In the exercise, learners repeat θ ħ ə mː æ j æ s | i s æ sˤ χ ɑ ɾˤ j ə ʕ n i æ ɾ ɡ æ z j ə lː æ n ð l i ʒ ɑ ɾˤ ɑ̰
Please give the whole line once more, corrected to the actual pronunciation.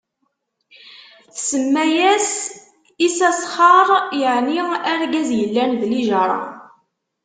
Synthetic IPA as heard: θ s ə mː æ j æ s | i s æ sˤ χ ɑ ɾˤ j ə ʕ n i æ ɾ ɡ æ z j ə lː æ n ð l i ʒ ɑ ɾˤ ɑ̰